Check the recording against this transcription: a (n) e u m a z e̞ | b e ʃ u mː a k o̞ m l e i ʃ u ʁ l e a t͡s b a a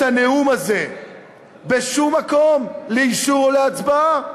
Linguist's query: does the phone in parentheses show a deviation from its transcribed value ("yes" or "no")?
no